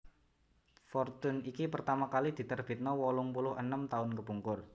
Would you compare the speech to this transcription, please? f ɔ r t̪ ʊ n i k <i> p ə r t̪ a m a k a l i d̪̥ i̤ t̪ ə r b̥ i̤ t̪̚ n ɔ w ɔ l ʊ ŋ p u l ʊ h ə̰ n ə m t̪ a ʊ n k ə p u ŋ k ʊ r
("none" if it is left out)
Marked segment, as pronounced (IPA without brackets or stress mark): i